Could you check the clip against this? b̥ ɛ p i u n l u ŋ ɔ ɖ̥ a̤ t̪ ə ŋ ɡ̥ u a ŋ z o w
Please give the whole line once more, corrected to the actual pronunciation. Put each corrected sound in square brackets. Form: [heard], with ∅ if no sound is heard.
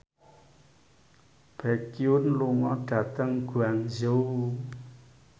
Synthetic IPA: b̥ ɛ [k] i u n l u ŋ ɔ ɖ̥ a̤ t̪ ə ŋ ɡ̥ u a ŋ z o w